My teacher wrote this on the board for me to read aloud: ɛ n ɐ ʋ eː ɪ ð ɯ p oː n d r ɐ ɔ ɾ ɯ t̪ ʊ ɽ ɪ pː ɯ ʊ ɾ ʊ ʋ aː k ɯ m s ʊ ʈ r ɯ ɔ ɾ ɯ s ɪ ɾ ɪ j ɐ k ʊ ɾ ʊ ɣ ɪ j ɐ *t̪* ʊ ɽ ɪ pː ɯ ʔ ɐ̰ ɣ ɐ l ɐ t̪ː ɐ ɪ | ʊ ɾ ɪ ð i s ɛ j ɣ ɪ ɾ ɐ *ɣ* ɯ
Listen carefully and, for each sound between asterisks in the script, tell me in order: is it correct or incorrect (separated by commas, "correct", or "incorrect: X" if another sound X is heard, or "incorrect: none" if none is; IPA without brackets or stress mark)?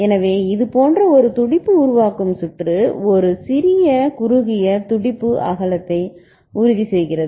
correct, incorrect: ð